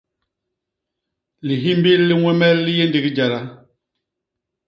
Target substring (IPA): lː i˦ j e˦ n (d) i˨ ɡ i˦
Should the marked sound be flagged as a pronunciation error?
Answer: no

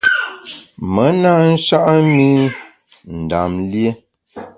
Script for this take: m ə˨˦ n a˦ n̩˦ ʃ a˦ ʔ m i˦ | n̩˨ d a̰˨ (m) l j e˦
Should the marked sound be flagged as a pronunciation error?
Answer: no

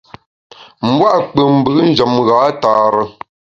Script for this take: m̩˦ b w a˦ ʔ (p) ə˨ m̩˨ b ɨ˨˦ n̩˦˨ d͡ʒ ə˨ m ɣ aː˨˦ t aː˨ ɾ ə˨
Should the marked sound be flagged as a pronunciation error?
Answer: yes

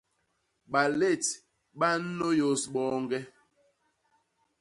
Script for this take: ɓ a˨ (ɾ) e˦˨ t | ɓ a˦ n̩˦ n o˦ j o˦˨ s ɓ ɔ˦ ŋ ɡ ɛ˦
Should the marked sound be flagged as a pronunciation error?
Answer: yes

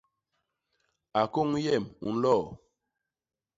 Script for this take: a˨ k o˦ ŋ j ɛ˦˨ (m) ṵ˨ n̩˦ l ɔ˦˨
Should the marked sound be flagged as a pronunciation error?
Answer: no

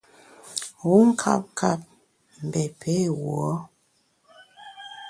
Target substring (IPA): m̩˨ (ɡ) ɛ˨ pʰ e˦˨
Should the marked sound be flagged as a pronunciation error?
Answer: yes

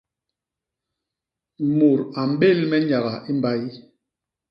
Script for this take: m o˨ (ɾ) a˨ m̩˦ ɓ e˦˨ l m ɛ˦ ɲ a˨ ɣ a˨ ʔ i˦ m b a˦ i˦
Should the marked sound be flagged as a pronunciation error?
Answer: no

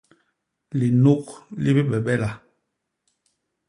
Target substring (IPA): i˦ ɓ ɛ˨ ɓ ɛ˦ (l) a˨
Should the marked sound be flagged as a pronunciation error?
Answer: no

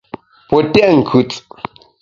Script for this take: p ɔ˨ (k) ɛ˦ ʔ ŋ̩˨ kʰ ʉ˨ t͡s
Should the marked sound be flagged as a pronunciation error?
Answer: yes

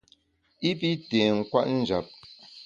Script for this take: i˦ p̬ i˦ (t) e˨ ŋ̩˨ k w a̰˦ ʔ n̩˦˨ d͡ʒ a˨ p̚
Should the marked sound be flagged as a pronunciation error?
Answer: no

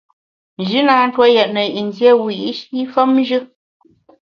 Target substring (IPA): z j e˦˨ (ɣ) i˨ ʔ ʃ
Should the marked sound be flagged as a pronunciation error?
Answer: yes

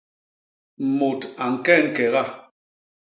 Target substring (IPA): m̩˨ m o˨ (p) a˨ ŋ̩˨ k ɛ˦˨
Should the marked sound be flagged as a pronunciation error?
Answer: yes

